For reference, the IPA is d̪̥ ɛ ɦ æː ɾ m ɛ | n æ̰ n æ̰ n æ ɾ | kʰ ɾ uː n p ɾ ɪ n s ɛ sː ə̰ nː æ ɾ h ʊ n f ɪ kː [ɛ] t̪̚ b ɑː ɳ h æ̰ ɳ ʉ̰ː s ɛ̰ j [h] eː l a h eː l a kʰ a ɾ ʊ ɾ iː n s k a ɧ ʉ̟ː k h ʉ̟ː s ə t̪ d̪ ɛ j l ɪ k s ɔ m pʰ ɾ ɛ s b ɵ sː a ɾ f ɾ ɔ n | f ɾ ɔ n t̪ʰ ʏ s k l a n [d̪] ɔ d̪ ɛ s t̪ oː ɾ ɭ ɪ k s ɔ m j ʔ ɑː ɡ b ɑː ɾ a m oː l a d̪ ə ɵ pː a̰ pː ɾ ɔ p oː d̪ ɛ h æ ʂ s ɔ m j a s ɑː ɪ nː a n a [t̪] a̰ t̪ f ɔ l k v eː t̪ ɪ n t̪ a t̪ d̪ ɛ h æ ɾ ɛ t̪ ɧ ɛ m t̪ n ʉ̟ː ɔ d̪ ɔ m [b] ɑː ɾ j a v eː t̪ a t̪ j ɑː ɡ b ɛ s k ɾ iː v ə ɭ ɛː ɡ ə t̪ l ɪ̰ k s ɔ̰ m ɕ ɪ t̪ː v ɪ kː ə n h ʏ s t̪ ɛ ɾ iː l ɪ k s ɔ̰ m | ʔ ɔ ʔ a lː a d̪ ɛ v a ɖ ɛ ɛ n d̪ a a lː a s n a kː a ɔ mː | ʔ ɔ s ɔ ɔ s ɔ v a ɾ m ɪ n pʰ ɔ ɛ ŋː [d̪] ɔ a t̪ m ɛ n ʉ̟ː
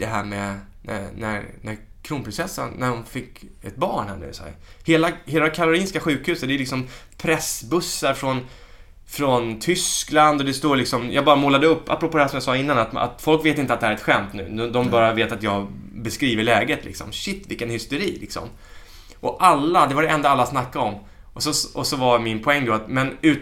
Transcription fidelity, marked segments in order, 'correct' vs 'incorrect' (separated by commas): correct, correct, correct, correct, correct, correct